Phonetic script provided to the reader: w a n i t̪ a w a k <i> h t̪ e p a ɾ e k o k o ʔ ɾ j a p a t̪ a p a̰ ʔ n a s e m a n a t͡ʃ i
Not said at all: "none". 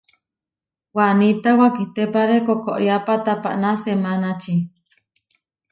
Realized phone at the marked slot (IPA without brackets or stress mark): i